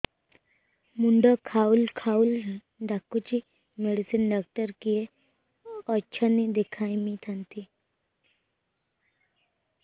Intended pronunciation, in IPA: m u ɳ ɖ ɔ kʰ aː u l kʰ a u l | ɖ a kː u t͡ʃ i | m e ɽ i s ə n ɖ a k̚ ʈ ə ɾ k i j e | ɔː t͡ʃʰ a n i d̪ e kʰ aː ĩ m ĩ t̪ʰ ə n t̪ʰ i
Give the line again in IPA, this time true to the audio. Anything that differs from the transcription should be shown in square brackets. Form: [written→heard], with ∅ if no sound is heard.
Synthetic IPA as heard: m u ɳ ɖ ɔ kʰ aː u l kʰ a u l | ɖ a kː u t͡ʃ i | m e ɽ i s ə n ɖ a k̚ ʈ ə ɾ k i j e | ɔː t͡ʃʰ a n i d̪ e kʰ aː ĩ m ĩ t̪ʰ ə n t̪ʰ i